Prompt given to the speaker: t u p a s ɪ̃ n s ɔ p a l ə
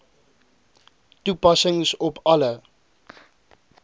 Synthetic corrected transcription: t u p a s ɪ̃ ŋ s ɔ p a l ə

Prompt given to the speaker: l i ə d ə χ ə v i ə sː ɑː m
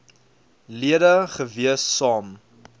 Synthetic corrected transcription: l i ə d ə χ ə v i ə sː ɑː m

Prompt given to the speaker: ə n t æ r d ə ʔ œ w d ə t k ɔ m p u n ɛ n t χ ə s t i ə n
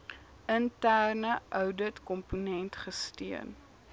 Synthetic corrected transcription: ə n t æ r n ə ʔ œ w d ə t k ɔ m p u n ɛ n t χ ə s t i ə n

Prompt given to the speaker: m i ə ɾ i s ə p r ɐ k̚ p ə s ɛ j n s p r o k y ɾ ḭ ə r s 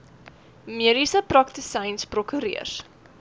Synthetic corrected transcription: m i ə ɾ i s ə p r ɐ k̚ t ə s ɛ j n s p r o k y ɾ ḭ ə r s

